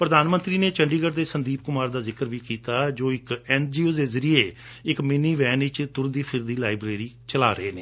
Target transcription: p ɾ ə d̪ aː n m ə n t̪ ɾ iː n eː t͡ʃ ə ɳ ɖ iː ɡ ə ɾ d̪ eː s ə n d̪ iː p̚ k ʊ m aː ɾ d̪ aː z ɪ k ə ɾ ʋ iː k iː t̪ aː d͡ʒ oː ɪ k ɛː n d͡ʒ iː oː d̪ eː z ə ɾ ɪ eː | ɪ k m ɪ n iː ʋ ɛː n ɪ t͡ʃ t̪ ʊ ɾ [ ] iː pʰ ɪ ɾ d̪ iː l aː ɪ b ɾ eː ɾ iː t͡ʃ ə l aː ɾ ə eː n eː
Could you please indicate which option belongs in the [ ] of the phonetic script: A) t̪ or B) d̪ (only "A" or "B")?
B